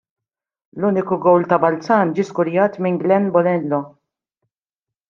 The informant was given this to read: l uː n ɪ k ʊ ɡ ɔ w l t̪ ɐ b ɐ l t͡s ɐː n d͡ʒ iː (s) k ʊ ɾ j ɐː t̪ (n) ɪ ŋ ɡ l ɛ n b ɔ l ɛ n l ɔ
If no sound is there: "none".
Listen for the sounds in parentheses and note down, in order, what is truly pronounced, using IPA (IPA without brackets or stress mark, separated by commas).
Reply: s, m